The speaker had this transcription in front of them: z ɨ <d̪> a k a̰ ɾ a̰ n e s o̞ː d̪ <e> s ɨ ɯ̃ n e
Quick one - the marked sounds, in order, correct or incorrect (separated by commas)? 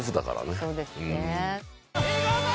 correct, correct